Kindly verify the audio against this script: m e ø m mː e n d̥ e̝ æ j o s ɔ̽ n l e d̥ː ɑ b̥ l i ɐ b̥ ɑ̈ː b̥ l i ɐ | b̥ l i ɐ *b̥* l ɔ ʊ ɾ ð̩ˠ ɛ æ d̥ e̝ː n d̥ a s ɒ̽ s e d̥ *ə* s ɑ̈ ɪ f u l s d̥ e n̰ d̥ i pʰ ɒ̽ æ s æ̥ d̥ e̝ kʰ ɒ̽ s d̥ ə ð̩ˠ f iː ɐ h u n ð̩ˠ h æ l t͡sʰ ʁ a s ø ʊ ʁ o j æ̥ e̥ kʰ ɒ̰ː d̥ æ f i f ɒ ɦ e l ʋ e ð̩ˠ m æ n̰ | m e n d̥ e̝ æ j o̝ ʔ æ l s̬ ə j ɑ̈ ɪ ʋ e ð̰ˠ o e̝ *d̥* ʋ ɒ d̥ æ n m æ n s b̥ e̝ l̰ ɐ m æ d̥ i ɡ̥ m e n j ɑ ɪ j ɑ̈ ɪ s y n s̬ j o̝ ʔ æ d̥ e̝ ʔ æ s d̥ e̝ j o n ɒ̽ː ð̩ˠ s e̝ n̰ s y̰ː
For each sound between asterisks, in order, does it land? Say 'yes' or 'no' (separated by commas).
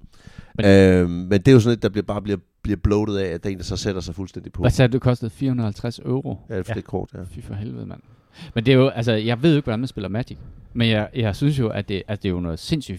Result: yes, no, no